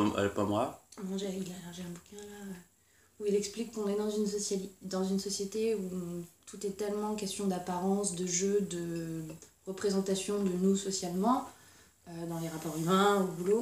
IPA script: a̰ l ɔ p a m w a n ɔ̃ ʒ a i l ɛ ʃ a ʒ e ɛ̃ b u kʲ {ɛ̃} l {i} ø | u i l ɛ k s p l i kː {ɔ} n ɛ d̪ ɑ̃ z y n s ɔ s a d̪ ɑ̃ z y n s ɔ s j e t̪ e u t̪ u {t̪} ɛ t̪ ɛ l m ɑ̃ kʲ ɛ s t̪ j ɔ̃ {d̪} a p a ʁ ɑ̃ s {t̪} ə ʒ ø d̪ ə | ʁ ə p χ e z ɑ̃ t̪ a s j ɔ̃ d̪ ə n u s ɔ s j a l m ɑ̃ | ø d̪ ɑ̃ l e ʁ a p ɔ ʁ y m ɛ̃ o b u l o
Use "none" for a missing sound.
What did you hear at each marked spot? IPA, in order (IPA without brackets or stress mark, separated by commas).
ɛ̃, a, ɔ̃, t̪, d̪, d̪